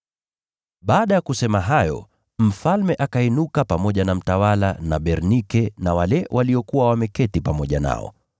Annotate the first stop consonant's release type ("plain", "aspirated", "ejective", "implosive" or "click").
implosive